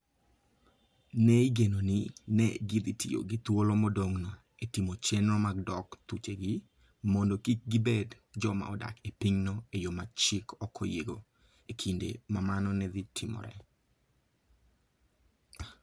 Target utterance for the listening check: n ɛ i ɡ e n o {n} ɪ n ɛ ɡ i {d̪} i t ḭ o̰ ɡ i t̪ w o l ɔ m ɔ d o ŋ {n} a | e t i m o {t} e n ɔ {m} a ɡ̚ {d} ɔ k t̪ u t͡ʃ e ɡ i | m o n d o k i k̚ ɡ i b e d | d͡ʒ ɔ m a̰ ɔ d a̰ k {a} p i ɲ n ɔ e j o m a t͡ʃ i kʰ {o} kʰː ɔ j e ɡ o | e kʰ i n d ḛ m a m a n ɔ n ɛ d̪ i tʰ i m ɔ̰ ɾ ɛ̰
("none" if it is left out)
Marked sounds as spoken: n, d̪, n, t͡ʃ, m, d, e, ɔ

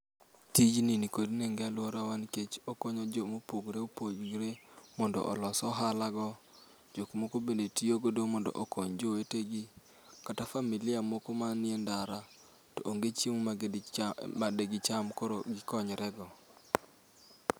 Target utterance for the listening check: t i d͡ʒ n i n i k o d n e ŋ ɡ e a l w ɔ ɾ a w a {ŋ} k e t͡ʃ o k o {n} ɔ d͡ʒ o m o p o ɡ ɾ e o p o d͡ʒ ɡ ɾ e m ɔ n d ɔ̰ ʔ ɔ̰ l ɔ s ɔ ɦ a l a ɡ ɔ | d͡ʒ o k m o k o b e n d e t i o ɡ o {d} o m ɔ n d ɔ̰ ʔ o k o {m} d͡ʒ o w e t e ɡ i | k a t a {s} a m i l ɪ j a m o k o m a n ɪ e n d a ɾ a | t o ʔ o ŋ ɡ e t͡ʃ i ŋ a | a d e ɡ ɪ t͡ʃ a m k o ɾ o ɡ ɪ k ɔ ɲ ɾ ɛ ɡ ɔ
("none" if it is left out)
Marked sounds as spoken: n, ɲ, d, ɲ, f

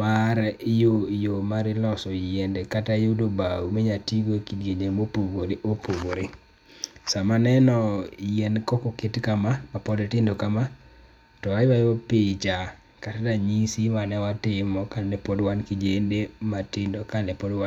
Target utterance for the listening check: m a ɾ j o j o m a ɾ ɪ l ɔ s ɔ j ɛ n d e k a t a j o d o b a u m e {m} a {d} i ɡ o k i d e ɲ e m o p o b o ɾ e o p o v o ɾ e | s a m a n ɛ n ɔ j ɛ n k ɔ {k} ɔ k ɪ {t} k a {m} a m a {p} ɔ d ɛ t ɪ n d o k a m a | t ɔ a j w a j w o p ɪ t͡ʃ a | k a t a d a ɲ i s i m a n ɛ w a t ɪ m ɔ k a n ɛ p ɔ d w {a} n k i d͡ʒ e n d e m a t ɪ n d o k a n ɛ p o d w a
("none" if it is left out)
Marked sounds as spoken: ɲ, t, k, t, m, p, a

